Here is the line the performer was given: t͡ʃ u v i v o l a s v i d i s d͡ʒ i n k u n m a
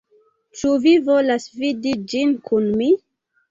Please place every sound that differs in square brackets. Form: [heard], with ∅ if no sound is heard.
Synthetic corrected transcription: t͡ʃ u v i v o l a s v i d i [∅] d͡ʒ i n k u n m [i]